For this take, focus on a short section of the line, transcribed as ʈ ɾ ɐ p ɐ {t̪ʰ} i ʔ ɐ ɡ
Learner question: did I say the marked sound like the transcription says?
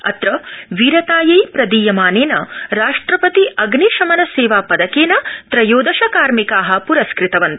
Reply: no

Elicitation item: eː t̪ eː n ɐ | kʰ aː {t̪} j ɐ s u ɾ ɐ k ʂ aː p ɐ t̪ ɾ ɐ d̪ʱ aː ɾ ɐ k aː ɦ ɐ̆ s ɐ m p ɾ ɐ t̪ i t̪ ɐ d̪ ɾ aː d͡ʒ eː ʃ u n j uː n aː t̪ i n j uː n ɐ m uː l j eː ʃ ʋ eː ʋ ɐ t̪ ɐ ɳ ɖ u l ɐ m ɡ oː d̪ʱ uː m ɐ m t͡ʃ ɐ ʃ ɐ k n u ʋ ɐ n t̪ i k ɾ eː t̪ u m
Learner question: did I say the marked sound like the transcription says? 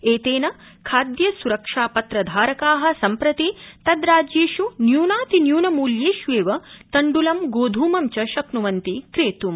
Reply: no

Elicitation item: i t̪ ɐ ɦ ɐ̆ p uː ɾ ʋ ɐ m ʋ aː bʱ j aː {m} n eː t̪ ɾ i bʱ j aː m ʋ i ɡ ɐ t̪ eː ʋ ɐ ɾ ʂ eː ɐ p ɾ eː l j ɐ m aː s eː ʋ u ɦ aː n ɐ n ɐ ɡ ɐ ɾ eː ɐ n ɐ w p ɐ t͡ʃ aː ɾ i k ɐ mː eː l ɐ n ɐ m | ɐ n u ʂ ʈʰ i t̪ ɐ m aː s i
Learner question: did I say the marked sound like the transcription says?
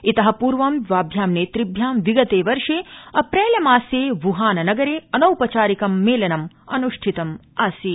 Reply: yes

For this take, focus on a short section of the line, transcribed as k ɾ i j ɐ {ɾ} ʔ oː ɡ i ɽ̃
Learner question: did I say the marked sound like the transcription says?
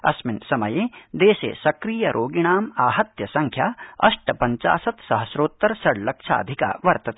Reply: yes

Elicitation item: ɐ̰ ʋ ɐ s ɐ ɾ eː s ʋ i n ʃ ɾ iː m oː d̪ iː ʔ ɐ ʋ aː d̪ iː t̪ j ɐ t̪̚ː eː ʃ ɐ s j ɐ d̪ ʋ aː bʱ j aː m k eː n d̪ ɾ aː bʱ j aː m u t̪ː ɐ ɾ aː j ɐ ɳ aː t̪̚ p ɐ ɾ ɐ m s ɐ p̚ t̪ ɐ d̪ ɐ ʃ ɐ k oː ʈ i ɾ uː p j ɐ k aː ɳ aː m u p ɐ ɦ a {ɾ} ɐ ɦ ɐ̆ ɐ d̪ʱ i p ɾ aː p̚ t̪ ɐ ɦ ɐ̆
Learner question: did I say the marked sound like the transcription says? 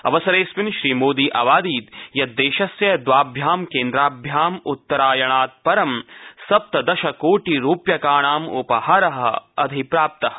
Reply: yes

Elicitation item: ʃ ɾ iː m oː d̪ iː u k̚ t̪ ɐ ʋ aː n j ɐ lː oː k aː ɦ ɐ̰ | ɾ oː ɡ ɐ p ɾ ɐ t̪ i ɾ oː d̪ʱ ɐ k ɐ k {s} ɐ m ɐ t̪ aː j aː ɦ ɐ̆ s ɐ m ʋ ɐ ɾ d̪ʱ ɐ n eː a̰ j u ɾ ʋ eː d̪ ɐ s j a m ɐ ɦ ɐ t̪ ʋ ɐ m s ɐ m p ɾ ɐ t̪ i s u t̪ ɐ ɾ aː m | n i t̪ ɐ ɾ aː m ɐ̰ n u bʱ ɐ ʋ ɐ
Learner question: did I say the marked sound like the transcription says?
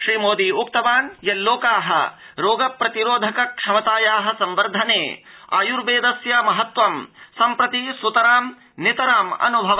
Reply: no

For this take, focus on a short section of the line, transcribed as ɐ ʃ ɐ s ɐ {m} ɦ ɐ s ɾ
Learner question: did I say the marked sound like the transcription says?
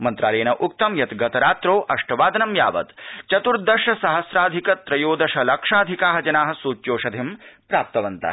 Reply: no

